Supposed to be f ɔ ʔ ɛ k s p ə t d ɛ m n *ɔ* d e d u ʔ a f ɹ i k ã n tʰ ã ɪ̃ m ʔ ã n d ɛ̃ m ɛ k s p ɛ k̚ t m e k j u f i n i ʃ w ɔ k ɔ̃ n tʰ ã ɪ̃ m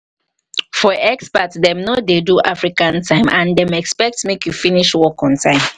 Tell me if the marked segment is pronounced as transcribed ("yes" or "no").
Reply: no